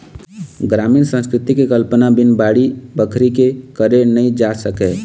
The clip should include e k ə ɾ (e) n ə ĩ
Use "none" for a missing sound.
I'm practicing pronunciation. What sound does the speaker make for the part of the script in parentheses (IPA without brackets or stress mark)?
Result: e